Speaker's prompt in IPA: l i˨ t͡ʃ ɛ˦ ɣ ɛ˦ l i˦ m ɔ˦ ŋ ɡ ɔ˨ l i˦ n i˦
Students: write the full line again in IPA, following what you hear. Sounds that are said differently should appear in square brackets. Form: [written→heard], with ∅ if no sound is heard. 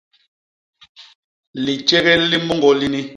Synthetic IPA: l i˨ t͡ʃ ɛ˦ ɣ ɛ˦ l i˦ m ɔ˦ ŋ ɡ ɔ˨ l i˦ n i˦

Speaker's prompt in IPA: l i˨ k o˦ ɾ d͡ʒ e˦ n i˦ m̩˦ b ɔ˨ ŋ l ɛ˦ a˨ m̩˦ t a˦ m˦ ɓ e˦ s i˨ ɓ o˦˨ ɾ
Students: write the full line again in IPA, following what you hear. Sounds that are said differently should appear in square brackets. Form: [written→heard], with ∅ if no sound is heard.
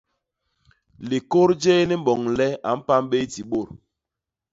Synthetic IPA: l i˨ k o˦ ɾ d͡ʒ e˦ n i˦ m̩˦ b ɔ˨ ŋ l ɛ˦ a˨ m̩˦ [t→p] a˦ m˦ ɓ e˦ [s→t] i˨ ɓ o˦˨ ɾ

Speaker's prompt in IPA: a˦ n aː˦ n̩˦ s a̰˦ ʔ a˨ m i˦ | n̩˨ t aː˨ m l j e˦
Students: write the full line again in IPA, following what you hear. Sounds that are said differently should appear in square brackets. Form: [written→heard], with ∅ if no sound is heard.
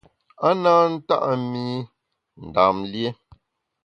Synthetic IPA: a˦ n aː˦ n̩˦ [s→t] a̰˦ ʔ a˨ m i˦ | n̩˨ [t→d] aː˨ m l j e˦

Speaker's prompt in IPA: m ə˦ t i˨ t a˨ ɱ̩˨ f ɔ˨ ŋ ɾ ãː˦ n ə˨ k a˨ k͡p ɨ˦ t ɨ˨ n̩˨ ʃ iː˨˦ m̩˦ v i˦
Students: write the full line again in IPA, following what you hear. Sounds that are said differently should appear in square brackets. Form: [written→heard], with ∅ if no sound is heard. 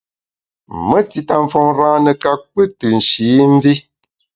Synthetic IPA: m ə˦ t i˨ t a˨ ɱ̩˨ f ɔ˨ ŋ ɾ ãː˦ n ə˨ k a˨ k͡p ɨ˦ t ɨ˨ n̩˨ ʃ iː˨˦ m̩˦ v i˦

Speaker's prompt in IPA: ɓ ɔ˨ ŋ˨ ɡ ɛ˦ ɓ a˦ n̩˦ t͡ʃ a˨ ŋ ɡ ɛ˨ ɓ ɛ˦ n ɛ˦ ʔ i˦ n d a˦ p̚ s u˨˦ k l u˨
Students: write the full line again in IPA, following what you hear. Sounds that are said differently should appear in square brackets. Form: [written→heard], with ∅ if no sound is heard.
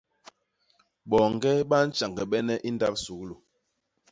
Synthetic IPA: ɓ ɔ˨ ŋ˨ ɡ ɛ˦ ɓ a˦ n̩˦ t͡ʃ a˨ ŋ ɡ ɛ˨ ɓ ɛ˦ n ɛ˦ ʔ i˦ n d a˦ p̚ s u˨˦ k l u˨

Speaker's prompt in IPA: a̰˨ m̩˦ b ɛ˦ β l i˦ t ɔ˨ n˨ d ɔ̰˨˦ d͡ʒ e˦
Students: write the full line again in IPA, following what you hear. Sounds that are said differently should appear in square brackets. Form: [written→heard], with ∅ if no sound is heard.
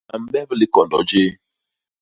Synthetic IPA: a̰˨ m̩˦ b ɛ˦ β l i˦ [t→k] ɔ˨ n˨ d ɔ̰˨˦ d͡ʒ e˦

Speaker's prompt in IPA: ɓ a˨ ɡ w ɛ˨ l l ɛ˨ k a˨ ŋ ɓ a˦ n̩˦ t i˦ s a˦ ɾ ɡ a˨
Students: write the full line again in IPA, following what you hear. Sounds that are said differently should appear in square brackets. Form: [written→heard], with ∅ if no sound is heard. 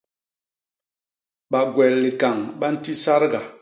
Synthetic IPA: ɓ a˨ ɡ w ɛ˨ l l [ɛ˨→i˨] k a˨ ŋ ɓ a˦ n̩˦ t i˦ s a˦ ɾ ɡ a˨

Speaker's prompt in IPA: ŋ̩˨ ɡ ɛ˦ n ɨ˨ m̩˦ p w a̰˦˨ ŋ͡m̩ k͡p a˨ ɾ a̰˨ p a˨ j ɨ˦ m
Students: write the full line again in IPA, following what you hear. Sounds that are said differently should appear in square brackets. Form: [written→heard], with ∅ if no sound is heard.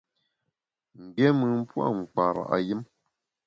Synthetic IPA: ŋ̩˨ ɡ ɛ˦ [n→m] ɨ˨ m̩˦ p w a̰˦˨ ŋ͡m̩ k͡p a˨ ɾ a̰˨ [p→ʔ] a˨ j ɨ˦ m

